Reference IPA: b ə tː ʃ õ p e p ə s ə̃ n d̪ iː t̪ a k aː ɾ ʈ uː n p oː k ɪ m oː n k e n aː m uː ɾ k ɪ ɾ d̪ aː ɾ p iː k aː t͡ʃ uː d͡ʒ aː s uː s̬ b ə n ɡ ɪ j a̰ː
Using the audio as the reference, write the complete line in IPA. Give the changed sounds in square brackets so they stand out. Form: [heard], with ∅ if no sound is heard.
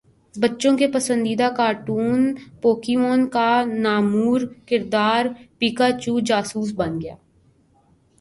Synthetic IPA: b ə tː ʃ õ [k] e p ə s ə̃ n d̪ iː [d̪] a k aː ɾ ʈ uː n p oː k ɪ m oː n k [a] n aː m uː ɾ k ɪ ɾ d̪ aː ɾ p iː k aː t͡ʃ uː d͡ʒ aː s uː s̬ b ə n ɡ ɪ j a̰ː